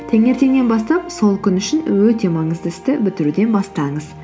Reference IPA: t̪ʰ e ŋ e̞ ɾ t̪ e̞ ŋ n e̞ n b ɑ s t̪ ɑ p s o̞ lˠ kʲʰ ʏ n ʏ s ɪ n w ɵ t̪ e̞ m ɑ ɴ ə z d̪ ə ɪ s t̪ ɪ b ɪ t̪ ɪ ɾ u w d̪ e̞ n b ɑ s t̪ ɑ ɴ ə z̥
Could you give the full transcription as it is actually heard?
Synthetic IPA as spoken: t̪ʰ e ŋ e̞ ɾ t̪ e̞ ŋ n e̞ n b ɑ s t̪ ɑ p s o̞ lˠ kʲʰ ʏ n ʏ ʃ ɪ n w ɵ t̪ e̞ m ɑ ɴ ə z d̪ ə ɪ s t̪ ɪ b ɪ t̪ ɪ ɾ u d̪ e̞ n b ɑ s t̪ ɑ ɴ ə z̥